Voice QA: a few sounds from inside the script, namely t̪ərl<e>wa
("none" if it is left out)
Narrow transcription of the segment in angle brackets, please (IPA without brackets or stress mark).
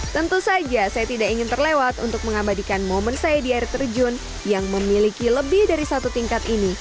e